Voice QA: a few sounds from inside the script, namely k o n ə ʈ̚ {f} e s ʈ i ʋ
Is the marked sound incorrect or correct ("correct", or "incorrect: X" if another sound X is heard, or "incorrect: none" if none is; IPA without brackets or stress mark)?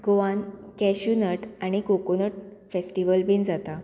correct